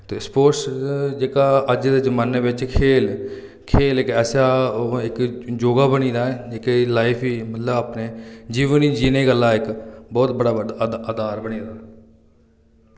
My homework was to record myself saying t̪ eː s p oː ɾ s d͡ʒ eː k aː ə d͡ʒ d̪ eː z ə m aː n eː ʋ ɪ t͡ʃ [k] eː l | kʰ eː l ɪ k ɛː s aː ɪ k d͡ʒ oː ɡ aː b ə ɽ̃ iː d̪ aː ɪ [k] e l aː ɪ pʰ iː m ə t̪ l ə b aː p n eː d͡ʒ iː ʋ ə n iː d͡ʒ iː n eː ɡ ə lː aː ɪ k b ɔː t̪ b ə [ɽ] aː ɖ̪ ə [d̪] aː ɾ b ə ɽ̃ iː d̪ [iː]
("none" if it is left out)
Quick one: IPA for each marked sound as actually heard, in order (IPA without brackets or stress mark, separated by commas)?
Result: kʰ, k, ɽ, d̪, aː